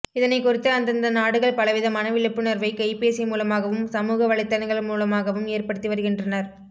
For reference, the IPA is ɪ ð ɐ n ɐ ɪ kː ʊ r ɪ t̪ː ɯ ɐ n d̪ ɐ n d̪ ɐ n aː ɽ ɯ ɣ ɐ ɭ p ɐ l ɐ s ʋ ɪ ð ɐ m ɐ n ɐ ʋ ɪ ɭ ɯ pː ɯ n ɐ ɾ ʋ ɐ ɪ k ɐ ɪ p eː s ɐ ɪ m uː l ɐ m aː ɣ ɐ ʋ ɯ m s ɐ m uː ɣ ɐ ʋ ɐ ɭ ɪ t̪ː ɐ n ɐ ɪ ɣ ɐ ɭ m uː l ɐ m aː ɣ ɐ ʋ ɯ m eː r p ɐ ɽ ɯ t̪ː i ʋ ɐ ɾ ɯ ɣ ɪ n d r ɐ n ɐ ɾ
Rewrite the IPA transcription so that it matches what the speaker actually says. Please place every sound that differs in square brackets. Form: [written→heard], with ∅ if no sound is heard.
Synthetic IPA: ɪ ð ɐ n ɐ ɪ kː ʊ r ɪ t̪ː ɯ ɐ n d̪ ɐ n d̪ ɐ n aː ɽ ɯ ɣ ɐ ɭ p ɐ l ɐ [s→∅] ʋ ɪ ð ɐ m ɐ n ɐ ʋ ɪ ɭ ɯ pː ɯ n ɐ ɾ ʋ ɐ ɪ k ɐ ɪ p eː s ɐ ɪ m uː l ɐ m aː ɣ ɐ ʋ ɯ m s ɐ m uː ɣ ɐ ʋ ɐ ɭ ɪ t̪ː ɐ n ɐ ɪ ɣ ɐ ɭ m uː l ɐ m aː ɣ ɐ ʋ ɯ m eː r p ɐ ɽ ɯ t̪ː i ʋ ɐ ɾ ɯ ɣ ɪ n d r ɐ n ɐ ɾ